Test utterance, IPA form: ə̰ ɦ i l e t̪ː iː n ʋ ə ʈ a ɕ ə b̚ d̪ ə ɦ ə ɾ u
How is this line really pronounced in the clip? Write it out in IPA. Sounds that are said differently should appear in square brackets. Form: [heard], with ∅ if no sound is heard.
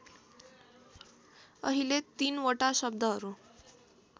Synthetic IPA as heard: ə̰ ɦ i l e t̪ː iː n ʋ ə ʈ a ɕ ə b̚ d̪ ə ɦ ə ɾ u